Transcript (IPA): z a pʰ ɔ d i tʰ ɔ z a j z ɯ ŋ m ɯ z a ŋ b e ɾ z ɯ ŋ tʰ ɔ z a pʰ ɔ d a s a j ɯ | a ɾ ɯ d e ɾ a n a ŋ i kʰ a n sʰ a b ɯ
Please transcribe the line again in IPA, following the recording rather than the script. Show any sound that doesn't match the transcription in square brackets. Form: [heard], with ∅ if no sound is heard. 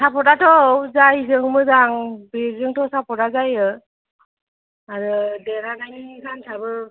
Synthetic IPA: [s] a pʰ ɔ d [a] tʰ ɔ z a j z ɯ ŋ m ɯ z a ŋ b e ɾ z ɯ ŋ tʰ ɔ [s] a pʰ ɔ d a [z] a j ɯ | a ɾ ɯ d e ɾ a n a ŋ i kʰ a n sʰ a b ɯ